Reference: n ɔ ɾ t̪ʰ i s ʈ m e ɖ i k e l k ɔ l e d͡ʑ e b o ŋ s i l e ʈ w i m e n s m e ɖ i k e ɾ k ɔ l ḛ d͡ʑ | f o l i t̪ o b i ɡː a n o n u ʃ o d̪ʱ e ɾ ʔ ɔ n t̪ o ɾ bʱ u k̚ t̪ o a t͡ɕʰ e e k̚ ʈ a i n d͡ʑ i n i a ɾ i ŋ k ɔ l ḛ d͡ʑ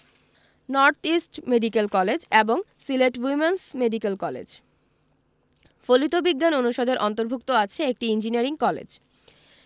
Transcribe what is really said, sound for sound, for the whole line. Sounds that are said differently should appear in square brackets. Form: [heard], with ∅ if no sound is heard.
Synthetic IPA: n ɔ ɾ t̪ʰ i s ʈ m e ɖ i k e l k ɔ l e d͡ʑ e b o ŋ s i l e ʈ w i m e n s m e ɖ i k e [l] k ɔ l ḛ d͡ʑ | f o l i t̪ o b i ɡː a n o n u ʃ o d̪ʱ e ɾ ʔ ɔ n t̪ o ɾ bʱ u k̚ t̪ o a t͡ɕʰ e e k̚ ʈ [i] i n d͡ʑ i n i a ɾ i ŋ k ɔ l ḛ d͡ʑ